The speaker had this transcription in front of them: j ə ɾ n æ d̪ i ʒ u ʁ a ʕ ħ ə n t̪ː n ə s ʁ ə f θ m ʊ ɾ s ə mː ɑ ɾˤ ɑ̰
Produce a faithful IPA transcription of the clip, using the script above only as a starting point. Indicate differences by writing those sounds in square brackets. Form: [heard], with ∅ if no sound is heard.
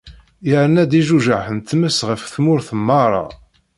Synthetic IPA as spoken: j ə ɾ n æ d̪ i ʒ u [ʒ] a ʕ ħ ə n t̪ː [m] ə s ʁ ə f θ m ʊ ɾ [θ] ə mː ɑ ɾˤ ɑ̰